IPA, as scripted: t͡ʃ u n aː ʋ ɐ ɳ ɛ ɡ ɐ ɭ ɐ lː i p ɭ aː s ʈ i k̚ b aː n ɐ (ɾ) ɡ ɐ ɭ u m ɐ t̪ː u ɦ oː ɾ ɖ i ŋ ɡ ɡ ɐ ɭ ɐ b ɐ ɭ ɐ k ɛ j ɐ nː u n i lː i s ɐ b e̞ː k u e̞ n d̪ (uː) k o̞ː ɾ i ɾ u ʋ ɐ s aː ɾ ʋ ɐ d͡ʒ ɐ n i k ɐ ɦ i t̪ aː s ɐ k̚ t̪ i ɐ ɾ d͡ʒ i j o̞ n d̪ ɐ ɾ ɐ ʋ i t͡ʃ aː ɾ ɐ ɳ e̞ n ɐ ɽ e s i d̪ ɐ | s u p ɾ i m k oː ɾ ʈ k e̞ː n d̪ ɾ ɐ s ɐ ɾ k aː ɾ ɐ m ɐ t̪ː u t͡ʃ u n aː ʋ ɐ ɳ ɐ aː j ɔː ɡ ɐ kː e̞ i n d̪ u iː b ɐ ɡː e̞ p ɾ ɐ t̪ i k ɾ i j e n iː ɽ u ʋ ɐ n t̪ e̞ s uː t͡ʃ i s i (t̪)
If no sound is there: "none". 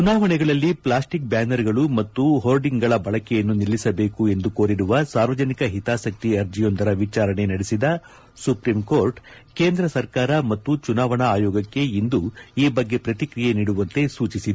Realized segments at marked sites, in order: ɾ, u, d̪

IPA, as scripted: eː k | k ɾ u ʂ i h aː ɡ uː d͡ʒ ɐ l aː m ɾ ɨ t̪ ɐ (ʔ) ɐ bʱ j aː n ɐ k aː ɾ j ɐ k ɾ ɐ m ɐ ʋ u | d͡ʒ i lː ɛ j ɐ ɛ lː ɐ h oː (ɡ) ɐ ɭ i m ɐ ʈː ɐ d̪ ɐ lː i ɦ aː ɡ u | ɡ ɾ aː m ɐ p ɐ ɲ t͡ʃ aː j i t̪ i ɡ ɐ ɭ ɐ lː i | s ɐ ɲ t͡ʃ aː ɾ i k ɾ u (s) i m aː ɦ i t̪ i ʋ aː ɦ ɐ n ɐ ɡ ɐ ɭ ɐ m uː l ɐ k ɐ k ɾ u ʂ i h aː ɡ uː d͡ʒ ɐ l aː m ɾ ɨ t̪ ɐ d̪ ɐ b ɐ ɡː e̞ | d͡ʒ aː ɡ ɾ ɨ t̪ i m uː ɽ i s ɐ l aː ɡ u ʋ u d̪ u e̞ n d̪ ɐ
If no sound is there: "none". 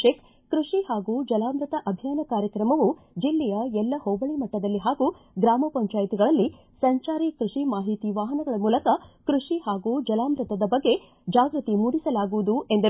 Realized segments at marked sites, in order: ʔ, b, ʂ

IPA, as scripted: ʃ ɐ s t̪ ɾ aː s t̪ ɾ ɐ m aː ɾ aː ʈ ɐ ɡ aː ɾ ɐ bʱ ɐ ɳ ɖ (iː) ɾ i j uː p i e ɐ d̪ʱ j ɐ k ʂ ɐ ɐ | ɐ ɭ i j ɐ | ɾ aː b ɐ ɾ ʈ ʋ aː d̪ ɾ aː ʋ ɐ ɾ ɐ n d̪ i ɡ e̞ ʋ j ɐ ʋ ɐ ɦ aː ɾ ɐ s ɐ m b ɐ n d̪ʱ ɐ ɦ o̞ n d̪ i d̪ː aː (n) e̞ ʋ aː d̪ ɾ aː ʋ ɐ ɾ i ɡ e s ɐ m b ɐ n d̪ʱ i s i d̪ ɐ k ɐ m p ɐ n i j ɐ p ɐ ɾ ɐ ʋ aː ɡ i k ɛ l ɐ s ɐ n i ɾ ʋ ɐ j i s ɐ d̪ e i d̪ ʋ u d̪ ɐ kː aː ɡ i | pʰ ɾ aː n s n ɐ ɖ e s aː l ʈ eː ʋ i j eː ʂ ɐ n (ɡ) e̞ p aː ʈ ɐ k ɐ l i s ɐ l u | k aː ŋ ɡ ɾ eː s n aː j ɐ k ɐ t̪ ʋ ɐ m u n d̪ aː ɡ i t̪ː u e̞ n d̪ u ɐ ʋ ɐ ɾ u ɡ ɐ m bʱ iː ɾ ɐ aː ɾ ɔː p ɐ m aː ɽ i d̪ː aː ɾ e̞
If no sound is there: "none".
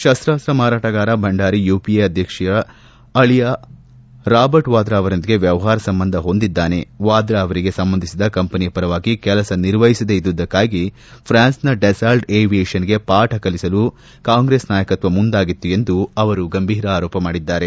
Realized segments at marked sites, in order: aː, n, ɡ

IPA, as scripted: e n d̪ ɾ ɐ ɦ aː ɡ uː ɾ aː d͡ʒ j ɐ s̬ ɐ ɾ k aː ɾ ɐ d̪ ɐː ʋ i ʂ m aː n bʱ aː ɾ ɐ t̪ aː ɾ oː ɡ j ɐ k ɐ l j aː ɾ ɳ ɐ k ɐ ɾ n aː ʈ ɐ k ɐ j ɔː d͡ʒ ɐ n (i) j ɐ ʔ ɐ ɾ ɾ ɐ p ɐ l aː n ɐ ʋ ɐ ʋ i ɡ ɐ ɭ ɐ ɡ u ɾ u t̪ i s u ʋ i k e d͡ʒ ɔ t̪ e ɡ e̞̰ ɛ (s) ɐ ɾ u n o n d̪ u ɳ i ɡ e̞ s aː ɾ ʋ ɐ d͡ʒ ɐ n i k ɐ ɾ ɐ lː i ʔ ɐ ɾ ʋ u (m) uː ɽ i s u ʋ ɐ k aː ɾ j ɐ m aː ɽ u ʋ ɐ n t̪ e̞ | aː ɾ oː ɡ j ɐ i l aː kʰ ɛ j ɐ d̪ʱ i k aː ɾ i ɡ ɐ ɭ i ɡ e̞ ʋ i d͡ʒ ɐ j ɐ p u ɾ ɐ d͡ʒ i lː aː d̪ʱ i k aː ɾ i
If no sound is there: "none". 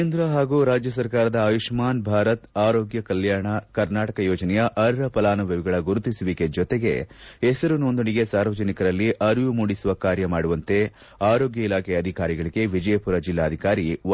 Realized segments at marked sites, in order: ɛ, s, m

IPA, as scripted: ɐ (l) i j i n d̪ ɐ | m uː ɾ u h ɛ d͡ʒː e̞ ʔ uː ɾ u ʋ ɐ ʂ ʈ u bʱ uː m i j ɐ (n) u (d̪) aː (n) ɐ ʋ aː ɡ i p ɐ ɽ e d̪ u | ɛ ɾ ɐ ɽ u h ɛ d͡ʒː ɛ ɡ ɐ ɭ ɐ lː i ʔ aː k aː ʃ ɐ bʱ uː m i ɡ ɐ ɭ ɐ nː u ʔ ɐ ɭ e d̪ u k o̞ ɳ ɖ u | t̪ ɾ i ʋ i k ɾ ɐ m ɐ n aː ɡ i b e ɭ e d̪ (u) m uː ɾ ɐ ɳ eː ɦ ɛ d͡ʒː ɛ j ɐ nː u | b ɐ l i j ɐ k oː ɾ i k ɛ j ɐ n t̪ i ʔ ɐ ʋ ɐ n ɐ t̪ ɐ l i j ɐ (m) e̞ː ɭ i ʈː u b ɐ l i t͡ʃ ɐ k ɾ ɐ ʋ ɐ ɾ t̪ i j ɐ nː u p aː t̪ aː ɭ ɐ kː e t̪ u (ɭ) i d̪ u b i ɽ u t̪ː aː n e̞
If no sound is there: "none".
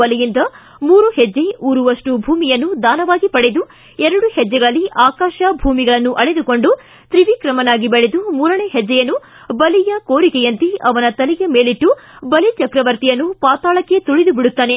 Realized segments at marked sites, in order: l, nː, d̪, n, u, m, ɭ

